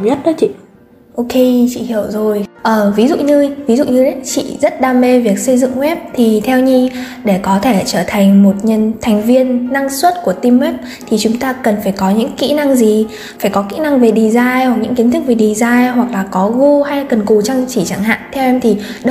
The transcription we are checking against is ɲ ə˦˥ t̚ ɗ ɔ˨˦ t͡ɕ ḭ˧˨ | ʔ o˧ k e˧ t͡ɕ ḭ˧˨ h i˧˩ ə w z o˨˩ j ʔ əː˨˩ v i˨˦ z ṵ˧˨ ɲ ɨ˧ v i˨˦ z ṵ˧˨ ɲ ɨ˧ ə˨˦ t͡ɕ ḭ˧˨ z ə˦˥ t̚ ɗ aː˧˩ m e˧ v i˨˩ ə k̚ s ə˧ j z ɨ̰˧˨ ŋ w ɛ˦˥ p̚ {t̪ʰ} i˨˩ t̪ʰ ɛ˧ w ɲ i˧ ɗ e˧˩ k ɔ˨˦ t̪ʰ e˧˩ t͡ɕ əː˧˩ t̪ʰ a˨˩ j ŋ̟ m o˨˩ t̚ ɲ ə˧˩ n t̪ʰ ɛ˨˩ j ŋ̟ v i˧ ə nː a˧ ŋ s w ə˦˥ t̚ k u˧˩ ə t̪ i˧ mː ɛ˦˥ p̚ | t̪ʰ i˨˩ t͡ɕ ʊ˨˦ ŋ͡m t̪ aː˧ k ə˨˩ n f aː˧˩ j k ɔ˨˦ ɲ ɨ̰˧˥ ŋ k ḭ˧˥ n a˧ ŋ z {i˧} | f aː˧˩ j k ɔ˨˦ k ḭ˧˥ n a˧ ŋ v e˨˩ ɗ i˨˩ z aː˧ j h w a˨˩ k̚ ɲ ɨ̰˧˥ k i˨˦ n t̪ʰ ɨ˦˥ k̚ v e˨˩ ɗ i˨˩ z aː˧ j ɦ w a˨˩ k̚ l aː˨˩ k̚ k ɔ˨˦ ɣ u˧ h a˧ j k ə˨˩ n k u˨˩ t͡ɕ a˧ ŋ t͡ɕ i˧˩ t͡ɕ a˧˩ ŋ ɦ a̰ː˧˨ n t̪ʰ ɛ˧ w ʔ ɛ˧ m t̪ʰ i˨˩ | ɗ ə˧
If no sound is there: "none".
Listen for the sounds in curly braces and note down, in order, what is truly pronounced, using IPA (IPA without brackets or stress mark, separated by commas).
t̪ʰ, i˨˩